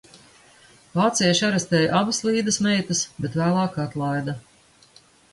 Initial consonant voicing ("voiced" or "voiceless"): voiced